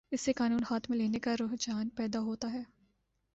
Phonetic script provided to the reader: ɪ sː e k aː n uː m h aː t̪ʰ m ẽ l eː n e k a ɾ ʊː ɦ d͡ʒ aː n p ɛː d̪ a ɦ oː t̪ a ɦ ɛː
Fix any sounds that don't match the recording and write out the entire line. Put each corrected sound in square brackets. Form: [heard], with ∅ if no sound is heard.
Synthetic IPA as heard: ɪ sː e k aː n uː [n] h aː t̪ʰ m ẽ l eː n e k a ɾ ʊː ɦ d͡ʒ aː n p ɛː d̪ a ɦ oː t̪ a ɦ ɛː